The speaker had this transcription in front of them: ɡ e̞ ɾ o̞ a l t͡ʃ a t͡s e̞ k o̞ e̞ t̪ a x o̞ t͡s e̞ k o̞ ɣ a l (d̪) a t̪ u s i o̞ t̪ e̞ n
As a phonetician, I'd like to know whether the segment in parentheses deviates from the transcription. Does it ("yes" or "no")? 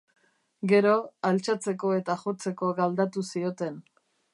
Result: no